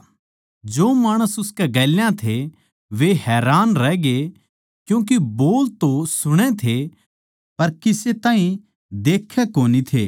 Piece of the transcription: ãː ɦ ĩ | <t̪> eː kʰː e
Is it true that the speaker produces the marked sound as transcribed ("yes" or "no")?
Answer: no